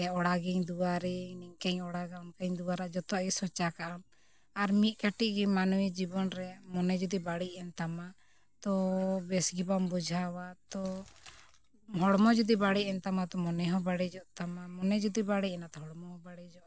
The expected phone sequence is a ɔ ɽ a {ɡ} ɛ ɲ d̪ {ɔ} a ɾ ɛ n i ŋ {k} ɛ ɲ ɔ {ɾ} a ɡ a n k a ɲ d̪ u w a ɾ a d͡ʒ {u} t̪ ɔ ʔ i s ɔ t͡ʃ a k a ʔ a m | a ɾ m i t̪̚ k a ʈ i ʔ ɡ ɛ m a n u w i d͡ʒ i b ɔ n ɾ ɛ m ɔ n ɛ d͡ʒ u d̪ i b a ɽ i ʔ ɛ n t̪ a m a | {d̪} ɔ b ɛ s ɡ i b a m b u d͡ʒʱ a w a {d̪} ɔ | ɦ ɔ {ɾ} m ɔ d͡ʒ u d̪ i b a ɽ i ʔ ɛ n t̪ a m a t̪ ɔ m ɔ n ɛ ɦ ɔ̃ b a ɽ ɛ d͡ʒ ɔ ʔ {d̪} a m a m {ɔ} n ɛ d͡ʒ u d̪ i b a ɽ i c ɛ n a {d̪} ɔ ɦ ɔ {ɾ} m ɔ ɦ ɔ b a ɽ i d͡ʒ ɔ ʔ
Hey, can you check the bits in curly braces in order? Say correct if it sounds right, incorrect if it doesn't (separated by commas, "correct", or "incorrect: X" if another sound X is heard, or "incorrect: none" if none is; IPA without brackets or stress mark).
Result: correct, incorrect: u, correct, incorrect: ɽ, incorrect: ɔ, incorrect: t̪, incorrect: t̪, incorrect: ɽ, incorrect: t̪, correct, incorrect: t̪, incorrect: ɽ